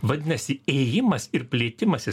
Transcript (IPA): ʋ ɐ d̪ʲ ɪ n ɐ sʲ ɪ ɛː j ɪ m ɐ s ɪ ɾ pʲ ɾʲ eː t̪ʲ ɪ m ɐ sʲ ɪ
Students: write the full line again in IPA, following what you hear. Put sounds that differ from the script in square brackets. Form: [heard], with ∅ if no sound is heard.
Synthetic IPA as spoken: ʋ ɐ d̪ʲ ɪ n ɐ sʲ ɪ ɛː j ɪ m ɐ s ɪ ɾ pʲ [lʲ] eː t̪ʲ ɪ m ɐ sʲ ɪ